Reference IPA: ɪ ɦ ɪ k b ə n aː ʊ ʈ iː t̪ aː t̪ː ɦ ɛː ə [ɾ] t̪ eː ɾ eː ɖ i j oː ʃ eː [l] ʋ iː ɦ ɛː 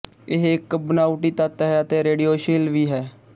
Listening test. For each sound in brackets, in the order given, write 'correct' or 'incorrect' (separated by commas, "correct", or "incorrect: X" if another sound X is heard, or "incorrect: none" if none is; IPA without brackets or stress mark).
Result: incorrect: none, correct